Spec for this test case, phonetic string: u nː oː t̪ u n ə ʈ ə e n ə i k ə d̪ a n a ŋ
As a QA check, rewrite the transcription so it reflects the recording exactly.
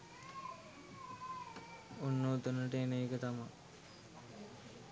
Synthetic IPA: u nː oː t̪ u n ə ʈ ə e n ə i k ə t̪ a m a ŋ

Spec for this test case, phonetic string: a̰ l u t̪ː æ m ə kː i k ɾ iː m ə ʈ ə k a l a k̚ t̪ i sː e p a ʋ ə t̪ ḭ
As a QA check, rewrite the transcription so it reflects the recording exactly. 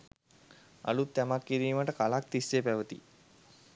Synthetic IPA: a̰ l u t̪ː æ m a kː i ɾ iː m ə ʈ ə k a l a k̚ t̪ i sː e p æ ʋ ə t̪ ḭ

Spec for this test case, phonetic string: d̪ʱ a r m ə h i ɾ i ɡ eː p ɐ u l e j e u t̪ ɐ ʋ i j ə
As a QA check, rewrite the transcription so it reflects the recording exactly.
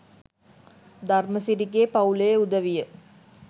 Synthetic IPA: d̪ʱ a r m ə s i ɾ i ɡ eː p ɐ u l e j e u d̪ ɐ ʋ i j ə

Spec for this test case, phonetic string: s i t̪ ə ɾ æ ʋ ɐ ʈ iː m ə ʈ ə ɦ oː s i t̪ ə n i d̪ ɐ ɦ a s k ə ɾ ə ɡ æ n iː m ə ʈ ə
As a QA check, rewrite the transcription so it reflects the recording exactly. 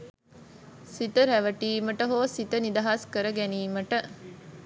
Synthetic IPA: s i t̪ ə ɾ æ ʋ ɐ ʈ iː m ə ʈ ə ɦ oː s i t̪ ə n i d̪ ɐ ɦ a s k ə ɾ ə ɡ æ n iː m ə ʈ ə

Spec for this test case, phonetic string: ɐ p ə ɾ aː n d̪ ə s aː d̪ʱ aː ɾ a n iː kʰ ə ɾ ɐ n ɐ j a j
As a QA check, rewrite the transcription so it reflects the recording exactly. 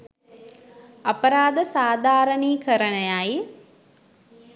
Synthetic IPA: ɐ p ə ɾ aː d̪ ə s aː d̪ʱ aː ɾ ə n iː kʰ ə ɾ ə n ə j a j

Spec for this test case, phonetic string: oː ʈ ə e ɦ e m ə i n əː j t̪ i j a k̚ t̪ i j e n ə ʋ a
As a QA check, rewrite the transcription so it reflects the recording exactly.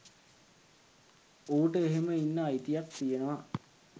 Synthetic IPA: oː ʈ ə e ɦ e m ə i nː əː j t̪ i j a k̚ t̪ i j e n ə ʋ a

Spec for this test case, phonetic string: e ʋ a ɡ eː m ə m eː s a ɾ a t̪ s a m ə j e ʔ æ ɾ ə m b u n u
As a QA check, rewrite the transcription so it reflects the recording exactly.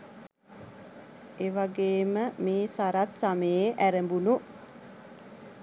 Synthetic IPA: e ʋ a ɡ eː m ə m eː s a ɾ a t̪ s a m ə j e ʔ æ ɾ ə m b u n u

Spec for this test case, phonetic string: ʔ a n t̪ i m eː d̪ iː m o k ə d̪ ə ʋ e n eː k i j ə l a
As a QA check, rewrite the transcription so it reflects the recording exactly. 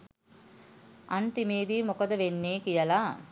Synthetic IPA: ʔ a n t̪ i m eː d̪ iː m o k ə d̪ ə ʋ e nː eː k i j ə l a

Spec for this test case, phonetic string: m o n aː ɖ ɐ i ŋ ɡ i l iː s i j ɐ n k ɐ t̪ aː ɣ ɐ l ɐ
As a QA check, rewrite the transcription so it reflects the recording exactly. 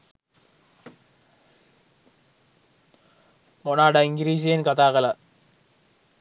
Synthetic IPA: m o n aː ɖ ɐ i ŋ ɡ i ɾ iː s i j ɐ n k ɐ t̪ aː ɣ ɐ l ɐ

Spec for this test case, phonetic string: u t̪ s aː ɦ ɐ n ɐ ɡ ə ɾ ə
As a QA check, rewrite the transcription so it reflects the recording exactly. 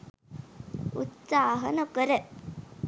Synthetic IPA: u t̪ s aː ɦ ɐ n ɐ k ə ɾ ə

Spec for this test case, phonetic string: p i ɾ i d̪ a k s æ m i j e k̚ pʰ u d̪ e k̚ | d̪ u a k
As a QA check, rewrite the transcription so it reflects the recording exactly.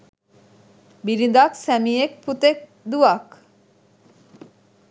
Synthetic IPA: b i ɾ i d̪ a k s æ m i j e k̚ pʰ u t̪ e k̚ | d̪ u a k

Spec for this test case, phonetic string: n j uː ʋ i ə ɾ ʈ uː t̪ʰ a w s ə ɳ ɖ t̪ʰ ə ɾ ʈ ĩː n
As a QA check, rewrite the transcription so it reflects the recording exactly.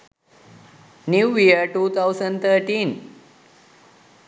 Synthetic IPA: n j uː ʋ i ə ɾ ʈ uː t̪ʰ a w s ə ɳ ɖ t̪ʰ ə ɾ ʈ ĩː n

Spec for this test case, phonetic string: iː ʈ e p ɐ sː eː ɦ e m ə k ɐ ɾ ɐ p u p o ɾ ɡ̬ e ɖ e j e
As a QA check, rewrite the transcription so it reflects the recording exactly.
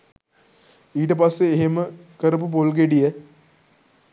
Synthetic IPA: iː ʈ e p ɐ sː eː ɦ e m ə k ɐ ɾ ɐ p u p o l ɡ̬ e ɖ i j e

